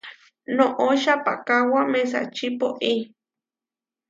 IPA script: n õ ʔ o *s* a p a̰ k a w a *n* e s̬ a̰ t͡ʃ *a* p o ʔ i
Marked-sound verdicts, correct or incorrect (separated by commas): incorrect, incorrect, incorrect